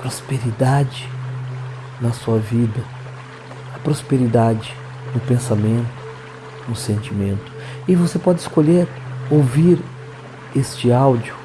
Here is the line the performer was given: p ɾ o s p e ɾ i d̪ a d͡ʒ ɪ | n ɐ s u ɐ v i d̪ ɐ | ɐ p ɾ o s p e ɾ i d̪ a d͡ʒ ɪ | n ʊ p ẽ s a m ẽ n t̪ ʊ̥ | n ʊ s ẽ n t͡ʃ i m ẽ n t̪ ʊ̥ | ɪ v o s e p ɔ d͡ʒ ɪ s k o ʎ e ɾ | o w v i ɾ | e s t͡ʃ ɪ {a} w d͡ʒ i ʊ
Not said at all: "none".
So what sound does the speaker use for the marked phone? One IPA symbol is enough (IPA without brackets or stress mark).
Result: a